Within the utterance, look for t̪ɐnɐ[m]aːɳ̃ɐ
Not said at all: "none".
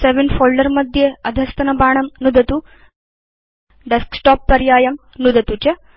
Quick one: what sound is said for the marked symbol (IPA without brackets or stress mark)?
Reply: b